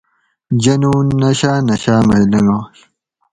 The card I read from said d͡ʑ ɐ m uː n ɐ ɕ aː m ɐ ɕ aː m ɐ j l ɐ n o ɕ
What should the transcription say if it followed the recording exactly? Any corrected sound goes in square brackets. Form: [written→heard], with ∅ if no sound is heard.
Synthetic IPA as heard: d͡ʑ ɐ [m→n] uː n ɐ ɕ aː [m→n] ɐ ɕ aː m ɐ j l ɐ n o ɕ

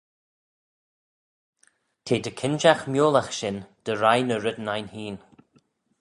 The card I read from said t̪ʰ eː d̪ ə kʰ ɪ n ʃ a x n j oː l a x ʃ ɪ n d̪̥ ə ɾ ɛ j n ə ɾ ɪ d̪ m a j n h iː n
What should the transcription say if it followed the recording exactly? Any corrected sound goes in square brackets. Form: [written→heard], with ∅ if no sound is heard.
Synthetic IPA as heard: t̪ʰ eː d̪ ə kʰ ɪ n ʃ a x [n→m] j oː l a x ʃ ɪ n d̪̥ ə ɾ [ɛ→a] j n ə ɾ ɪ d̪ [m→n] a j n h iː n

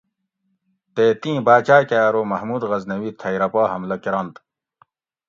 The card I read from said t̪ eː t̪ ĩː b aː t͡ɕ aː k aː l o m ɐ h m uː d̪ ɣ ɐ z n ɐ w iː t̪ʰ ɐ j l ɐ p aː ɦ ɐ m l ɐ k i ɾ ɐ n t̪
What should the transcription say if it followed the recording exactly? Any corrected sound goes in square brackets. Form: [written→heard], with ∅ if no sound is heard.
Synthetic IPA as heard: t̪ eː t̪ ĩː b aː t͡ɕ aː k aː [l→ɾ] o m ɐ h m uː d̪ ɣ ɐ z n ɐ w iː t̪ʰ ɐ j [l→ɾ] ɐ p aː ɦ ɐ m l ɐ k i ɾ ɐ n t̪

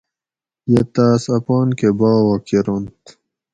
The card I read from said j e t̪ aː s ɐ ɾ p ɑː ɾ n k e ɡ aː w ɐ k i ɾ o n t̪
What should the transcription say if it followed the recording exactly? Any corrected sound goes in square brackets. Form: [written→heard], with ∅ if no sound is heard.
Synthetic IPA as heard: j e t̪ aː s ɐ [ɾ→∅] p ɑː [ɾ→∅] n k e [ɡ→b] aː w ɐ k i ɾ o n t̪

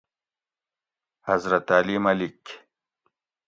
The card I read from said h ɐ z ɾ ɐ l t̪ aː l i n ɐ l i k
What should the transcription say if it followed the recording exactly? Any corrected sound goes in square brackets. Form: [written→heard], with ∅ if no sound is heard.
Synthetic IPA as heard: h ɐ z ɾ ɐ [l→∅] t̪ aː l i [n→m] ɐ l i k

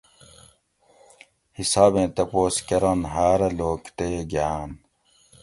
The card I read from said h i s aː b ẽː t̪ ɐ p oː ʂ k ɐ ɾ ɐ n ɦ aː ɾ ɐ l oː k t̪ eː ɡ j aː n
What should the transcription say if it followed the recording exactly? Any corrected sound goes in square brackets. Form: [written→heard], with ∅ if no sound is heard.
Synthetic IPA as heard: h i s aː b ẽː t̪ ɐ p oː [ʂ→s] k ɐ ɾ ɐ n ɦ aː ɾ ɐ l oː k t̪ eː ɡ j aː n

